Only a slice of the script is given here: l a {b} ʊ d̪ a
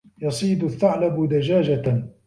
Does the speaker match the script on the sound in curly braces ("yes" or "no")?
yes